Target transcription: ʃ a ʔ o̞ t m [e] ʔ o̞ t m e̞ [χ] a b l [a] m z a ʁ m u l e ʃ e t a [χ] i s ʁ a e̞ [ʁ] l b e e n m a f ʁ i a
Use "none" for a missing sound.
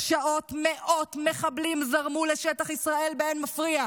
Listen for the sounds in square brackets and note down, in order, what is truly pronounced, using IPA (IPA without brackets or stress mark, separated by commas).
e, χ, i, χ, none